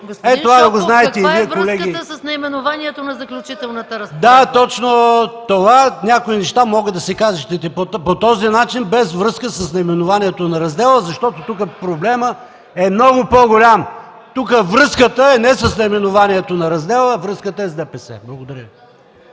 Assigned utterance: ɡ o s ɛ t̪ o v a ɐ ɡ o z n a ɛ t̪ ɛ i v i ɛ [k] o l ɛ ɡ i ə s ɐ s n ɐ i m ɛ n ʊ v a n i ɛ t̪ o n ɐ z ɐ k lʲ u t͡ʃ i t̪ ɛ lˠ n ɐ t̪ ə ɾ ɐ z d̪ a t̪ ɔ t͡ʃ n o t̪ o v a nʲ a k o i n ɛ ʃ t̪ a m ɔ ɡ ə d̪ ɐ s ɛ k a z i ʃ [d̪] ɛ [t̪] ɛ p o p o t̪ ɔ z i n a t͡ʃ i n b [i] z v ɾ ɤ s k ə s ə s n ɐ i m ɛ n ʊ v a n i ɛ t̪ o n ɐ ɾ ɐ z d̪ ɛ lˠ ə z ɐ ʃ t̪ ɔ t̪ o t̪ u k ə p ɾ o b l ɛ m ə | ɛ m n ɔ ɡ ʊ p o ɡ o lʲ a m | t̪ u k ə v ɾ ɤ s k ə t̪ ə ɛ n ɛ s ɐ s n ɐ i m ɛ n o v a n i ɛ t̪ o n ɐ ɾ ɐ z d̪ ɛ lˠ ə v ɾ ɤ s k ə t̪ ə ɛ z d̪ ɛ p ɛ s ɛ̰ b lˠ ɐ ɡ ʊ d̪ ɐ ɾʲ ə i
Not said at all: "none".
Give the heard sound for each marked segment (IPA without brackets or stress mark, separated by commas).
k, t̪, t̪, ɛ